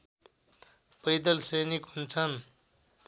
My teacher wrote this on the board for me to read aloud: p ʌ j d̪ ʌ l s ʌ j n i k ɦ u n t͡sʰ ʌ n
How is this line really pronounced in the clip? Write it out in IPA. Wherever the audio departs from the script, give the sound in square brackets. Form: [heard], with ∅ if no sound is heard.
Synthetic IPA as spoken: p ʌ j d̪ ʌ l s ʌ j n i k ɦ u n t͡sʰ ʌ n